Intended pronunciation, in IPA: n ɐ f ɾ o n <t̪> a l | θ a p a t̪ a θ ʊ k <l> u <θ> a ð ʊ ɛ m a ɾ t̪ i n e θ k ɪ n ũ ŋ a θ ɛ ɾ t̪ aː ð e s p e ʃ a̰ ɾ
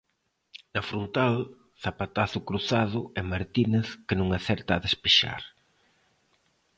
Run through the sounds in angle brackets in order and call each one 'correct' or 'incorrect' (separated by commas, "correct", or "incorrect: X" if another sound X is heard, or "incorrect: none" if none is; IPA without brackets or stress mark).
correct, incorrect: ɾ, correct